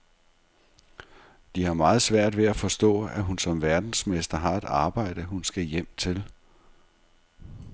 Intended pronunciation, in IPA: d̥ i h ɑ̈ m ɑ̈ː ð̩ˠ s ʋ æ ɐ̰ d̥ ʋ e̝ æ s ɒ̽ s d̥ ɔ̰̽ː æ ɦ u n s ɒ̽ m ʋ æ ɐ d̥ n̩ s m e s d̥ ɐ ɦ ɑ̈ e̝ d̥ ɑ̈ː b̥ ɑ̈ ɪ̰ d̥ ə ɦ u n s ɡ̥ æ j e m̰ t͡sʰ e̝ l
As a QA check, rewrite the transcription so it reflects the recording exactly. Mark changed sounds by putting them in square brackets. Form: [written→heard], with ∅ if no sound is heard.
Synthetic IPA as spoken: d̥ i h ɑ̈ m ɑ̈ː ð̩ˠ s ʋ æ ɐ̰ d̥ ʋ e̝ æ [s→f] ɒ̽ s d̥ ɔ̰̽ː æ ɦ u n s ɒ̽ m ʋ æ ɐ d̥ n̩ s m e s d̥ ɐ ɦ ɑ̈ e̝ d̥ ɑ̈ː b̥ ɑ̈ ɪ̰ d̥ ə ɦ u n s ɡ̥ æ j e m̰ t͡sʰ e̝ l